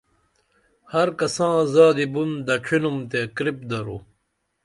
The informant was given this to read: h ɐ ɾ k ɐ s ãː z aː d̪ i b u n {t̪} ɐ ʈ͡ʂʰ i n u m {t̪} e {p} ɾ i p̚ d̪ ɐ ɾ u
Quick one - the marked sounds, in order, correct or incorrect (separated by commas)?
incorrect, correct, incorrect